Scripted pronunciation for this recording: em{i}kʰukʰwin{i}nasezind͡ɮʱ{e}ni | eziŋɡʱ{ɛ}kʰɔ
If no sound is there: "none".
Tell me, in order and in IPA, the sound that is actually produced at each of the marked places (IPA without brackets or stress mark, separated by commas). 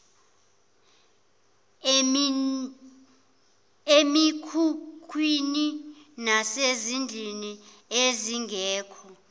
i, i, i, ɛː